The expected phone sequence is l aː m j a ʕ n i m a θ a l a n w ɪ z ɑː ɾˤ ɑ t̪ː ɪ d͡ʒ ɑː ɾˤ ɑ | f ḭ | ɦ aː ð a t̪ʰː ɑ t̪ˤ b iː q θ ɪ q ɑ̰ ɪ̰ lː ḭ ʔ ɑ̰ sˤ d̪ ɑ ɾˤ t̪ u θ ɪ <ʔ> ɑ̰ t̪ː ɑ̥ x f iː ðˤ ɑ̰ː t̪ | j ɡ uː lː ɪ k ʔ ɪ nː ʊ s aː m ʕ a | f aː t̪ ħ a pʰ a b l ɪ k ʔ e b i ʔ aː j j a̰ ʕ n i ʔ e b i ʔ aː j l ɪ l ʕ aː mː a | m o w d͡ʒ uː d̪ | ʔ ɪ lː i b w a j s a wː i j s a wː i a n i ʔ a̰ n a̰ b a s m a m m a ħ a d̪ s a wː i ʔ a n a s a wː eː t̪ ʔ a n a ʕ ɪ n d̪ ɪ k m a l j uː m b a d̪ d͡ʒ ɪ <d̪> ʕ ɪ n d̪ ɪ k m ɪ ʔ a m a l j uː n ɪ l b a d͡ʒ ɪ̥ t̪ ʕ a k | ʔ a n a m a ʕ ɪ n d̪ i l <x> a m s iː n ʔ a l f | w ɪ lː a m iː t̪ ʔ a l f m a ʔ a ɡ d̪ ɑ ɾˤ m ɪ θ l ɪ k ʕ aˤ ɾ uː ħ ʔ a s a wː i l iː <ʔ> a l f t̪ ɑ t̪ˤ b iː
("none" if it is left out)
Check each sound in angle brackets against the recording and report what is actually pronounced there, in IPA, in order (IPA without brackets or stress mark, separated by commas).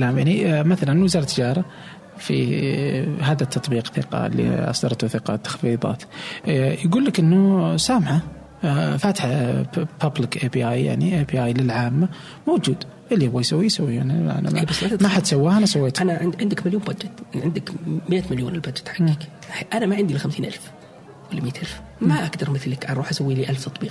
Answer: q, t̪, x, ʔ